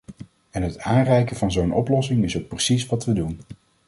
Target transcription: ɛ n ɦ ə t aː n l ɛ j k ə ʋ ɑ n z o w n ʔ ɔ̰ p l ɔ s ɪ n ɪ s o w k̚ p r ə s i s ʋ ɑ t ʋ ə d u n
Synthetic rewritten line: ɛ n ɦ ə t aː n r ɛ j k ə v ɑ n z o w n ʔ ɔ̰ p l ɔ s ɪ ŋ ɪ s o w k̚ p r ə s i s ʋ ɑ t ʋ ə d u n